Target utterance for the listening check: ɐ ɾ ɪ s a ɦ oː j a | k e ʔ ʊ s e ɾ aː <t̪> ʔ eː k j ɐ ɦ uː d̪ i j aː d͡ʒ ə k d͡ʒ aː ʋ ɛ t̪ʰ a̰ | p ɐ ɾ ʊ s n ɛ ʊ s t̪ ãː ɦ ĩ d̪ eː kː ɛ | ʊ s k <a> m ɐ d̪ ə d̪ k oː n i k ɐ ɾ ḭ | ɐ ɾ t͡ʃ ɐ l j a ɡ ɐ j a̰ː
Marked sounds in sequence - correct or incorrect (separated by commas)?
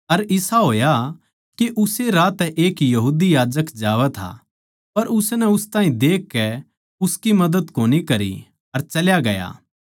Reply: correct, incorrect